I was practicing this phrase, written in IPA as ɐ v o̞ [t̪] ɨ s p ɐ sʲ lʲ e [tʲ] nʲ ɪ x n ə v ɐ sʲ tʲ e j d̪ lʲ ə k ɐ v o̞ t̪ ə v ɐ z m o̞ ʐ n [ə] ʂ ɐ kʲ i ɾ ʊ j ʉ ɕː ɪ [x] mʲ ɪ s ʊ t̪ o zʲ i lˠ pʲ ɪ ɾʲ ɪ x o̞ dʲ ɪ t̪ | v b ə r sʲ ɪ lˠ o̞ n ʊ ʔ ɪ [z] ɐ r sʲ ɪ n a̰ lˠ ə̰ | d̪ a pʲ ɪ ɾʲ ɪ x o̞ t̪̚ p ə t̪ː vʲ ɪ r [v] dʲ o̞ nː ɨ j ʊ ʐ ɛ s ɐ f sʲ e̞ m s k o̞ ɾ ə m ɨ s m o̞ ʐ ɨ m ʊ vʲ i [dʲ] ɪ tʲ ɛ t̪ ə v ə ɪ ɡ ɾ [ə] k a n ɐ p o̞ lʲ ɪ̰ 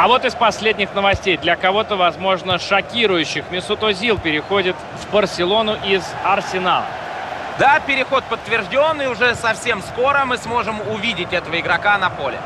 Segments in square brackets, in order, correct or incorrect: correct, incorrect: dʲ, correct, correct, correct, incorrect: ʐ, correct, incorrect: ɐ

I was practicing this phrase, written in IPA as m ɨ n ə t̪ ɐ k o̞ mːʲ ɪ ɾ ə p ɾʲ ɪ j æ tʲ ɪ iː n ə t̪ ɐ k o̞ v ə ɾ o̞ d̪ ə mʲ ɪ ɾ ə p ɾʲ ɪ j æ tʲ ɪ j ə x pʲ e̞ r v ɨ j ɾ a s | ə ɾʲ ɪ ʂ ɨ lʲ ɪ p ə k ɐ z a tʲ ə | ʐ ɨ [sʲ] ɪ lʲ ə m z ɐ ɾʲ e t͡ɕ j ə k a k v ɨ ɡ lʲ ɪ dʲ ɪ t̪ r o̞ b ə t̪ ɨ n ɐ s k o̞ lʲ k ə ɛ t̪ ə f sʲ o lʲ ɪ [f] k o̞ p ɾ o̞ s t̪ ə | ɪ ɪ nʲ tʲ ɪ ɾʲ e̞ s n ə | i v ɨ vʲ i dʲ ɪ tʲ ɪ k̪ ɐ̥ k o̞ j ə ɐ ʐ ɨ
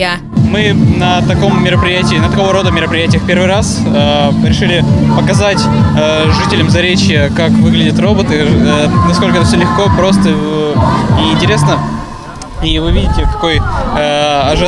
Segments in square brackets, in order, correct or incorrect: incorrect: tʲ, incorrect: x

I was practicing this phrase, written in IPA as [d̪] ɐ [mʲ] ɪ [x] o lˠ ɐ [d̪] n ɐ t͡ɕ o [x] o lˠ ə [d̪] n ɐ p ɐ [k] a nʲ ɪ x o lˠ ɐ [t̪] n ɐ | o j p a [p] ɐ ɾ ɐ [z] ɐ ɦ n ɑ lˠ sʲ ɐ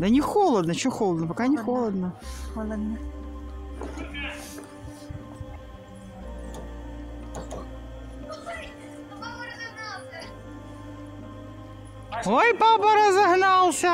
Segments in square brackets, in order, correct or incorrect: correct, incorrect: nʲ, correct, correct, correct, correct, correct, incorrect: d̪, correct, correct

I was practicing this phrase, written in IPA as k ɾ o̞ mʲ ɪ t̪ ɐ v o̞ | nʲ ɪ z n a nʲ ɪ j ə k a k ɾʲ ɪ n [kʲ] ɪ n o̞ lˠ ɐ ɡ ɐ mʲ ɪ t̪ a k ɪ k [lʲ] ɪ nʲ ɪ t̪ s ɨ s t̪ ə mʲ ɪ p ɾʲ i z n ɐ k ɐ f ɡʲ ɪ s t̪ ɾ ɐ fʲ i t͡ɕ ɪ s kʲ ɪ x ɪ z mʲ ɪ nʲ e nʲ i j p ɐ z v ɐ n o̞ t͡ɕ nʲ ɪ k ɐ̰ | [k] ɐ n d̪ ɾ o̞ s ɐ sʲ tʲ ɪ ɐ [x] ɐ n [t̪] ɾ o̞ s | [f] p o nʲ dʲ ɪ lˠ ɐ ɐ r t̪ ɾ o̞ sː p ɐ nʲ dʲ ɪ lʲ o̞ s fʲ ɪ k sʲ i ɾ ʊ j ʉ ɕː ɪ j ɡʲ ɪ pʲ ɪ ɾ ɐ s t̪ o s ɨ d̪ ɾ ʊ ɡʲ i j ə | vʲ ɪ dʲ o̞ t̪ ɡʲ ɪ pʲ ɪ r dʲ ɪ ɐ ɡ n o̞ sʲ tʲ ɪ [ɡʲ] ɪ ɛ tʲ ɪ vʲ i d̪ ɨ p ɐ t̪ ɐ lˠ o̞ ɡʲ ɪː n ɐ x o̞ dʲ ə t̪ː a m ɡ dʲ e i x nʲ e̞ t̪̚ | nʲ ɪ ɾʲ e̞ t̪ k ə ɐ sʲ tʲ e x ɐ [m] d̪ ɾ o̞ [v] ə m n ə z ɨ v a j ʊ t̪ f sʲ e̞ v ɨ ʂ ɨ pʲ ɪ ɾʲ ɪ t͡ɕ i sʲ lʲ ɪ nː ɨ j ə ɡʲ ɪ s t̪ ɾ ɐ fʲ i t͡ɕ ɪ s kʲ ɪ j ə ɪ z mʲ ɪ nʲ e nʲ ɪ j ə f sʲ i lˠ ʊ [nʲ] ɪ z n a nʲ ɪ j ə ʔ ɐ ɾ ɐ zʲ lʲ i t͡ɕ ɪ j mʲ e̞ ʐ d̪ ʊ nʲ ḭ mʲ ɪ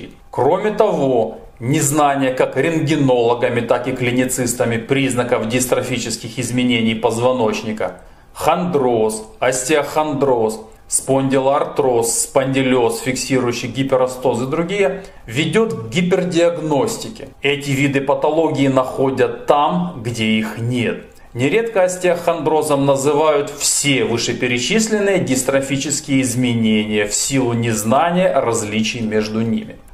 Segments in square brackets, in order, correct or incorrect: incorrect: ɡʲ, correct, incorrect: x, correct, incorrect: d̪, incorrect: s, incorrect: kʲ, incorrect: n, incorrect: z, correct

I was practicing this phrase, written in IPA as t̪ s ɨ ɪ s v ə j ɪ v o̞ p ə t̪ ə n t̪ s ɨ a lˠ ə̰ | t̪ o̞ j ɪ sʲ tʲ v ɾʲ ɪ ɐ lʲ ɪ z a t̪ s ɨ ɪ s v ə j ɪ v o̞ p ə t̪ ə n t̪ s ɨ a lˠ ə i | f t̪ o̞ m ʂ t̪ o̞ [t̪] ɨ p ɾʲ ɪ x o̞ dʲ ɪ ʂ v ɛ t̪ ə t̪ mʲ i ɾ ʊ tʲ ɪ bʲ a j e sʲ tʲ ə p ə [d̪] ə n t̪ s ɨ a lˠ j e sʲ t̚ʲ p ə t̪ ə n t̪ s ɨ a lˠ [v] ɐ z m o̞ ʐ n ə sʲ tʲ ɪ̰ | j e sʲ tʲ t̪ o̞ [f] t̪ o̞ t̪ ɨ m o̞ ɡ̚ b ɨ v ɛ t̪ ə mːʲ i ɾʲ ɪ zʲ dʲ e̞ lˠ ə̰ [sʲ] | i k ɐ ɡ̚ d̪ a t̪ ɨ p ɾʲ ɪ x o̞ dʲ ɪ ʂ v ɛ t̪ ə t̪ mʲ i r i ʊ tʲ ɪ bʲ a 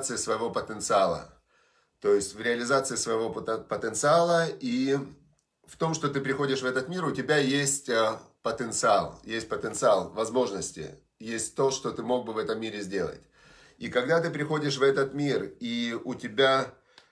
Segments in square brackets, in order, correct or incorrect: correct, incorrect: t̪, correct, incorrect: ʂ, incorrect: tʲ

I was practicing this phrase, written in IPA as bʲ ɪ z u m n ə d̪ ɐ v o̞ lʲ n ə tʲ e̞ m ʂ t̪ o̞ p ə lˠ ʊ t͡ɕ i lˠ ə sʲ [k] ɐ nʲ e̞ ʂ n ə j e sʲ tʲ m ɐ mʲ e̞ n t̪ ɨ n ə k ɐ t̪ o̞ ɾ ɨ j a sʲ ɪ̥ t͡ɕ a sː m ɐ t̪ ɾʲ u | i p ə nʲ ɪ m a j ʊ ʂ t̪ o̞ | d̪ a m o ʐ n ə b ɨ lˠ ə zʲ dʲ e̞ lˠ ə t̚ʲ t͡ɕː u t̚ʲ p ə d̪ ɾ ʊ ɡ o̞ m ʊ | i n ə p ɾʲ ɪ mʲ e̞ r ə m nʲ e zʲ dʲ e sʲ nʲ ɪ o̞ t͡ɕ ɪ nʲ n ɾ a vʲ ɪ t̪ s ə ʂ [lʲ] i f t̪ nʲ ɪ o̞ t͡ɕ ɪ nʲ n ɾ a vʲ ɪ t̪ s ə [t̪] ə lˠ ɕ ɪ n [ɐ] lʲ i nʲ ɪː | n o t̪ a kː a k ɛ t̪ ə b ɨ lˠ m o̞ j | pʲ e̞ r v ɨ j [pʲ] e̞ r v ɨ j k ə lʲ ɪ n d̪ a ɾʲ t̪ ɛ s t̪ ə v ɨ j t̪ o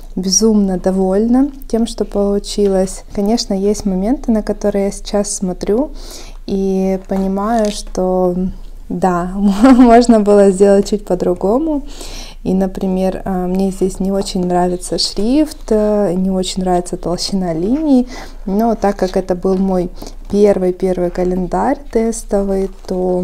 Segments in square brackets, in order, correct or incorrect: correct, incorrect: ɾʲ, correct, incorrect: a, correct

